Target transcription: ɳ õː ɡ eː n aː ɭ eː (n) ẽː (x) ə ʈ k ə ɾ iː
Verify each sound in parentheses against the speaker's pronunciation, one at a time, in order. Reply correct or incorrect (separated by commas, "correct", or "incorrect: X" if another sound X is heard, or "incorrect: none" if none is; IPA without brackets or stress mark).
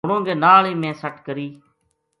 incorrect: m, incorrect: s